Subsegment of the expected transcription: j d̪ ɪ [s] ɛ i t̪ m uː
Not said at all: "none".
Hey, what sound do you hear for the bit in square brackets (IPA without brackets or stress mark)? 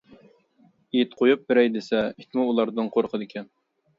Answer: s